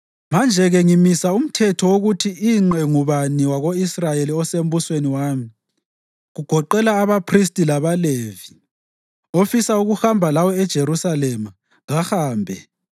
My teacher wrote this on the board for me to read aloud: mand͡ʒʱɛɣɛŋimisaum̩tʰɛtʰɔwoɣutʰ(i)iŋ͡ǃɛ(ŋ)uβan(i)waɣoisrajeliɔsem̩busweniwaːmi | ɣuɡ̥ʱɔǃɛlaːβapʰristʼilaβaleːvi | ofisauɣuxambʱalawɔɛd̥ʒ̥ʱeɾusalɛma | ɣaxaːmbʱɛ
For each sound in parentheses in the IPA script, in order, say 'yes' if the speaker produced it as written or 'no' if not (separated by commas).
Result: yes, yes, yes